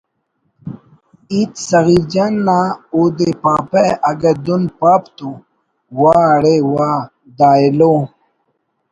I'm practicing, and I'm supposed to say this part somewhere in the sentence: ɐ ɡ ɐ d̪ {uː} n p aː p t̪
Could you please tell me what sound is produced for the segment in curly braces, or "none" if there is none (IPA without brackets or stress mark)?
u